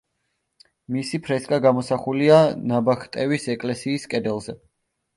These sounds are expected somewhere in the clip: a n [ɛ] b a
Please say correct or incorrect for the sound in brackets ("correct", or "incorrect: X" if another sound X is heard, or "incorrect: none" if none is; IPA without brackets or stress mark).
incorrect: a